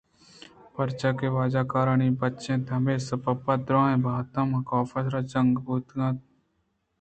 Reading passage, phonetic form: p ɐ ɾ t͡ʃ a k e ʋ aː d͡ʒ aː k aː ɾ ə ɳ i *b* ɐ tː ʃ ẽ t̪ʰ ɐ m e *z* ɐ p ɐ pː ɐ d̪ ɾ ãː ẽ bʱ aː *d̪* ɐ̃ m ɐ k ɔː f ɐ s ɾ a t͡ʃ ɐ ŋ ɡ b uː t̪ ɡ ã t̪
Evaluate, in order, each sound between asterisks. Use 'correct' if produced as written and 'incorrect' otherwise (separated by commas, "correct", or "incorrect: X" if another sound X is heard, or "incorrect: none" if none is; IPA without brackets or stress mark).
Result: correct, incorrect: s, incorrect: t̪